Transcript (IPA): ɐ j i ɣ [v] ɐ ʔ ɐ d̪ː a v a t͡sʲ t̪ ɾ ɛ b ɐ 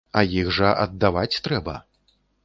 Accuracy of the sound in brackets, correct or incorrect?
incorrect: ʐ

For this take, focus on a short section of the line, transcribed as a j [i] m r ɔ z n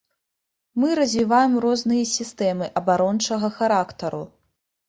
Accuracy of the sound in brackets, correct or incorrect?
incorrect: ɛ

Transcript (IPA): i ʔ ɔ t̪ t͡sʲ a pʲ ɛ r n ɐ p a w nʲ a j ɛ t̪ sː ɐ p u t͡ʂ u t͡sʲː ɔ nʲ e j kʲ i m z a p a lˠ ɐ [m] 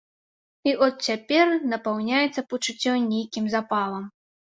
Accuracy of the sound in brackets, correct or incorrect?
correct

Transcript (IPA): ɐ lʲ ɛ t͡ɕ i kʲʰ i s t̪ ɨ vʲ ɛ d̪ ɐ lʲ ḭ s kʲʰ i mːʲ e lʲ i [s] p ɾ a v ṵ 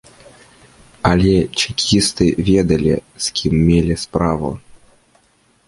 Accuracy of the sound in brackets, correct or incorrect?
correct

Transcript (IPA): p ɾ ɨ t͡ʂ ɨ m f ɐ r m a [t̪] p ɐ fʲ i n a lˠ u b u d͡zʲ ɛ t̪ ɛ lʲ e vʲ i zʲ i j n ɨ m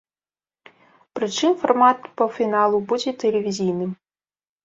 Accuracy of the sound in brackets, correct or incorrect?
correct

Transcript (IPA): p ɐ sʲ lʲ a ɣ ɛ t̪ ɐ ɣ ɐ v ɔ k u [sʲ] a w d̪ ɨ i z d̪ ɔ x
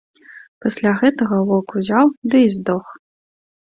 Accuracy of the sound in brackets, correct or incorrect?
incorrect: zʲ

